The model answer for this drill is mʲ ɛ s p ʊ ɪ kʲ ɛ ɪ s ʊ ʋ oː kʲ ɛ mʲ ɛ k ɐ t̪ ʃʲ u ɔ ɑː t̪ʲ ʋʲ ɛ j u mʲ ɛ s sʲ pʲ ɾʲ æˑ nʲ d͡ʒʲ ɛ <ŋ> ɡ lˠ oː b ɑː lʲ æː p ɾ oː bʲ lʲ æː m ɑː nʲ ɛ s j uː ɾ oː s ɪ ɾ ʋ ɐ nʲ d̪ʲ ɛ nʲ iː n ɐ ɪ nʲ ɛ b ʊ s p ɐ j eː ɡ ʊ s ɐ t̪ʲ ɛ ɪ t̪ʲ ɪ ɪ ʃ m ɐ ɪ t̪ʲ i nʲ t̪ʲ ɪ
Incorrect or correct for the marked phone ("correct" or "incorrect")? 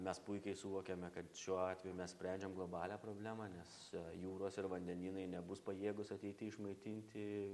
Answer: incorrect